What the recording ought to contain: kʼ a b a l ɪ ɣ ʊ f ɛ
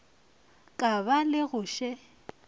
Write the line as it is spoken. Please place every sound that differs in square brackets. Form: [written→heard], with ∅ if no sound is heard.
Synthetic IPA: kʼ a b a l ɪ ɣ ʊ [f→ʃ] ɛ